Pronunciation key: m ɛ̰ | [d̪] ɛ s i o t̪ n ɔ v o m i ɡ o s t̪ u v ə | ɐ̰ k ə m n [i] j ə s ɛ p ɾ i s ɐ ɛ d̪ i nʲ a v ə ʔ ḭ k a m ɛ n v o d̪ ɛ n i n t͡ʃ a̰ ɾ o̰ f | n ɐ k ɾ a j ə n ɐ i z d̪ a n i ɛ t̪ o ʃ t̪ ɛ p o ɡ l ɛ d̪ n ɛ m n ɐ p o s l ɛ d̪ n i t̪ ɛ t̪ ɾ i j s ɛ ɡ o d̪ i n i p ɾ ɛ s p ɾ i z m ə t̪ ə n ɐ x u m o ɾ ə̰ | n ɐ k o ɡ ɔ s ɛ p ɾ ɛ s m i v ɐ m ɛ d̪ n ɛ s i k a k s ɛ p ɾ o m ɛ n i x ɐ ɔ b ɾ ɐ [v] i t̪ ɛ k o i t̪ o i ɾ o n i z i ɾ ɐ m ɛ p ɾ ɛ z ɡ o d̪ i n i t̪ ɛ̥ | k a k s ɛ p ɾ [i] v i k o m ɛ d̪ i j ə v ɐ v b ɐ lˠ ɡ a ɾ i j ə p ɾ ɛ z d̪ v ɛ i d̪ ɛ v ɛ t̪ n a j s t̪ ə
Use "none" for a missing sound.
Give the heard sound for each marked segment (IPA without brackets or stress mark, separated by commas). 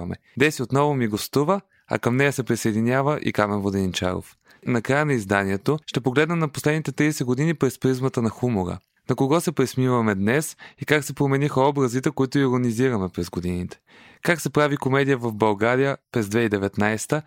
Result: d̪, ɛ, z, a